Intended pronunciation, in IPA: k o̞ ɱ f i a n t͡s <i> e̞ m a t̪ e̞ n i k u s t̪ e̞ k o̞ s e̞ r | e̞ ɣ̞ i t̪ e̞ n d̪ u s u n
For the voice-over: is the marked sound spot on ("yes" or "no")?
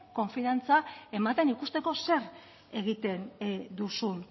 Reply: no